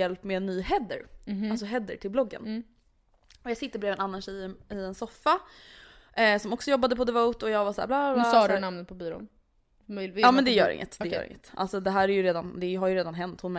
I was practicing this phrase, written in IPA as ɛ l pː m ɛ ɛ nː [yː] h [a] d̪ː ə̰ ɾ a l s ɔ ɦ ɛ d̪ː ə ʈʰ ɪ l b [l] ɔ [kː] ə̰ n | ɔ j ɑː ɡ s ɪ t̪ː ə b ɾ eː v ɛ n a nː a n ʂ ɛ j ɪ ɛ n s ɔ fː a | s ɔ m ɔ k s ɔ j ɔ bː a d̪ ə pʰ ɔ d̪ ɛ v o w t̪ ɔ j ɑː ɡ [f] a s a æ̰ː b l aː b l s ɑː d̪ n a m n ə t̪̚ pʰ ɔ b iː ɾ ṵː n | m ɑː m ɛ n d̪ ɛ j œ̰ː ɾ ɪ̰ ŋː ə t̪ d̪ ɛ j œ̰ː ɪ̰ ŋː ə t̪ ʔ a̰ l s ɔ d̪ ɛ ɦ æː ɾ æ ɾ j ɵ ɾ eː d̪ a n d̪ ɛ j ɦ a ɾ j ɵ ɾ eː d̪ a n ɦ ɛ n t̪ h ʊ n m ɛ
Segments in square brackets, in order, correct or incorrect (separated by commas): correct, incorrect, correct, incorrect, incorrect